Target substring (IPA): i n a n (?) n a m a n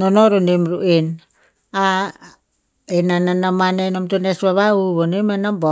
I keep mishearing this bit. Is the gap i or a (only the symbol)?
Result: a